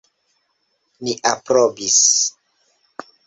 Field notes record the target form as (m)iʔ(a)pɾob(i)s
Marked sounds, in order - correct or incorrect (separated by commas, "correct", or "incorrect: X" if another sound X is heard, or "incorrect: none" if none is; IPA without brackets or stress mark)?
incorrect: n, correct, correct